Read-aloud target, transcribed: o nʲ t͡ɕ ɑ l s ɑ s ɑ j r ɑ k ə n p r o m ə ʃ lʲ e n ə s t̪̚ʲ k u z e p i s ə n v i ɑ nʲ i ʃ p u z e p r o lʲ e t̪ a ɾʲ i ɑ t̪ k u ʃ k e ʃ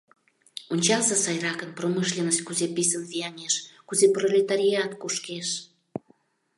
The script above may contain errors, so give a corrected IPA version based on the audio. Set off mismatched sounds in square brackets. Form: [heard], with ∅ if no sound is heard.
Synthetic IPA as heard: o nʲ t͡ɕ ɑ l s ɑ s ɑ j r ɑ k ə n p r o m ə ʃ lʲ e n ə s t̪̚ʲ k u z e p i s ə n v i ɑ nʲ [e] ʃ [k] u z e p r o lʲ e t̪ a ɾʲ i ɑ t̪ k u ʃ k e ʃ